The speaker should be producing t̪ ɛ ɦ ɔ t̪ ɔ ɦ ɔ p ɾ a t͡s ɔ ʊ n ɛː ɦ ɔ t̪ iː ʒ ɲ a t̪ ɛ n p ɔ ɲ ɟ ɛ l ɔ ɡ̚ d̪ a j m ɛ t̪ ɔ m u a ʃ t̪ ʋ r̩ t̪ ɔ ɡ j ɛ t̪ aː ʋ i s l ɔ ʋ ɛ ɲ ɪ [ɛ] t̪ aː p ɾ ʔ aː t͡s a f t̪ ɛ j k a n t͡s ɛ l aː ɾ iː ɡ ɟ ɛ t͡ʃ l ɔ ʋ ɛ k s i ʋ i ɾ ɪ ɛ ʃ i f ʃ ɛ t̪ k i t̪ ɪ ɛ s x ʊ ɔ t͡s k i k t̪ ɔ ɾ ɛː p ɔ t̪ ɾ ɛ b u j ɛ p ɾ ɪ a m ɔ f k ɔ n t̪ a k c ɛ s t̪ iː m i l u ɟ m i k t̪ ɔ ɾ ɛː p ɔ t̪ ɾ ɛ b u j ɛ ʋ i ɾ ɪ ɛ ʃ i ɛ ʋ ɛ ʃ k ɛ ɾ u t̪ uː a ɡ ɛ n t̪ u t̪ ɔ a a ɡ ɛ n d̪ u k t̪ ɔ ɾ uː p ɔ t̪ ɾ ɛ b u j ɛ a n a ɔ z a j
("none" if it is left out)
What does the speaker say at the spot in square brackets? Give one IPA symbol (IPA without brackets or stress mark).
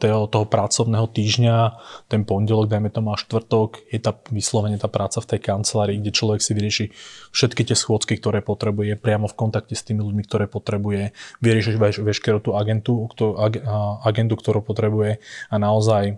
ɛ